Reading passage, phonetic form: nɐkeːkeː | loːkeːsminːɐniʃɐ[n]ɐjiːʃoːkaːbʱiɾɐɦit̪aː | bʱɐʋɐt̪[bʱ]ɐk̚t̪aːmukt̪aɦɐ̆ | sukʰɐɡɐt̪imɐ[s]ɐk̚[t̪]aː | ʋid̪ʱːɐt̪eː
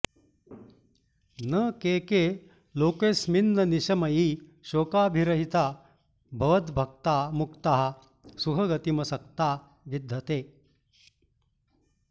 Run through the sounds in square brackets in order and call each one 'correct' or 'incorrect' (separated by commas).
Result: incorrect, correct, correct, correct